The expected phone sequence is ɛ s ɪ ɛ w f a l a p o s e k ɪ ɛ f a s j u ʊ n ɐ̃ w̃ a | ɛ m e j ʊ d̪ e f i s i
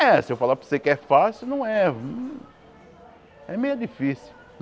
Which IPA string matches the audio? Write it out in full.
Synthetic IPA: ɛ s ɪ e w f a l a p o s e k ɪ ɛ f a s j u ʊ n ɐ̃ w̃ ɛ | ɛ m e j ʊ d̪ i f i s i